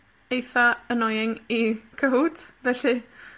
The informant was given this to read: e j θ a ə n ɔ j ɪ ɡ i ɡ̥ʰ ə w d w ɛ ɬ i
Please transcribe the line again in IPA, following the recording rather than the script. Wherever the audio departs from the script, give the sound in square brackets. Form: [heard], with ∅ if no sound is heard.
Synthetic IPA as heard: e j θ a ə n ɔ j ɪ [ŋ] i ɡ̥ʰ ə w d [v] ɛ ɬ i